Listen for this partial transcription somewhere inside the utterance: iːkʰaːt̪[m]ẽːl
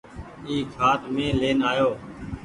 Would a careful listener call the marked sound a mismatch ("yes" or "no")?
no